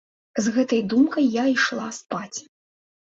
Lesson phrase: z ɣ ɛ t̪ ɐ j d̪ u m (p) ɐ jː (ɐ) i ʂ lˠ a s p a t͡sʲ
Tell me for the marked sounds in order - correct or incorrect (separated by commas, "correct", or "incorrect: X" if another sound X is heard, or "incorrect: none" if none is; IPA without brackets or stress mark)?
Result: incorrect: k, incorrect: a